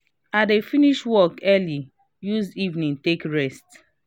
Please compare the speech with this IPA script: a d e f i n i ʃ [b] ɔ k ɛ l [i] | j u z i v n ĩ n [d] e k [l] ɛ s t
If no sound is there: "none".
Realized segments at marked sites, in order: w, i, t, ɹ

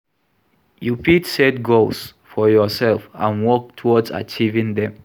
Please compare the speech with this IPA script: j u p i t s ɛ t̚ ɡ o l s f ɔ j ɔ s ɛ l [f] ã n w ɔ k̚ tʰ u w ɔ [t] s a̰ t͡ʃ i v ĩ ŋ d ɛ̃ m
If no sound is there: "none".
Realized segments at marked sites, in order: f, d

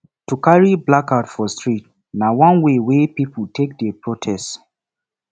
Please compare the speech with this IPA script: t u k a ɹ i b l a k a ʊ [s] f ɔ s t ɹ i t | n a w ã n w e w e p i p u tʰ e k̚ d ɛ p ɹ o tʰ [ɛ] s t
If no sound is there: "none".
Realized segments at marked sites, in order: t, ɛ

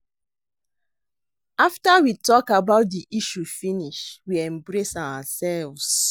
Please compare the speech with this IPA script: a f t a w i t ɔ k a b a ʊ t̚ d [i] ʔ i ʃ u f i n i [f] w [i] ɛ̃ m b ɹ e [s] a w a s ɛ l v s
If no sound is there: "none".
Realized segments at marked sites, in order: i, ʃ, i, s

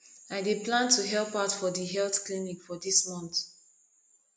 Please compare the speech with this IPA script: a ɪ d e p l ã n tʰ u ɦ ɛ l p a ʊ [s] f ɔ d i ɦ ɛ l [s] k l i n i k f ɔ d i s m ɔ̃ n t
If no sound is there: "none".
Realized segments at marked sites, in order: t, θ

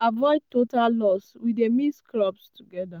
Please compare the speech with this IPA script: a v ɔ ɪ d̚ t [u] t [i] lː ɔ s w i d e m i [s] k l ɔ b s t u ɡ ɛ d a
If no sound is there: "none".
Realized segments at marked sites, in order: o, a, s

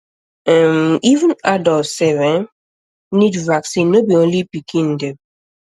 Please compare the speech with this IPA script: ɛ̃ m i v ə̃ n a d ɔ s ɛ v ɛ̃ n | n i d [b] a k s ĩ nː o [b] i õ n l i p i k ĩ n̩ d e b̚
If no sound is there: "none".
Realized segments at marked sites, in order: v, b

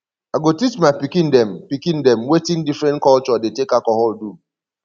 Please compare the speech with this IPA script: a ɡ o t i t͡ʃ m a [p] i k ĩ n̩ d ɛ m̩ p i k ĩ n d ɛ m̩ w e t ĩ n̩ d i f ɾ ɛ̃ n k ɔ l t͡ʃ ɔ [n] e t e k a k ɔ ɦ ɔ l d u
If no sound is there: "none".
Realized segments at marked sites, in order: p, d

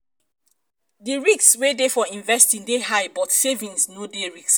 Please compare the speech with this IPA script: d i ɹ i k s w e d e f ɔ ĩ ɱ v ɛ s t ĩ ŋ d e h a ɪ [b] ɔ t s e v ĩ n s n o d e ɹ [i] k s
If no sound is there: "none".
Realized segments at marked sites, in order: b, i

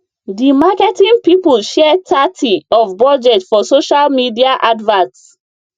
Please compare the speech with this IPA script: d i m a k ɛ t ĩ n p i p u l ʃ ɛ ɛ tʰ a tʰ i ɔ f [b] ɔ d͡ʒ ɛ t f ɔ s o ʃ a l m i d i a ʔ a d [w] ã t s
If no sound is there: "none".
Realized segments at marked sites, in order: b, v

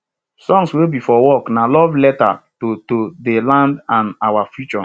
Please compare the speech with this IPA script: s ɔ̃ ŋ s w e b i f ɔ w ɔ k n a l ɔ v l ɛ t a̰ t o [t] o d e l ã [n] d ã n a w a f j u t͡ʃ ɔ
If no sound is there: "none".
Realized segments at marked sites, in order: t, n

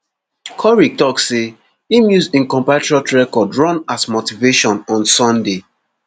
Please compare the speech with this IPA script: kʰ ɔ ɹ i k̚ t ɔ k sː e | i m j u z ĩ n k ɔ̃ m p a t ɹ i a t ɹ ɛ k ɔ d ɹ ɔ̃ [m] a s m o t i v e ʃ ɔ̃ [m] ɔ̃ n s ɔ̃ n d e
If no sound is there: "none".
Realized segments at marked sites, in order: n, n

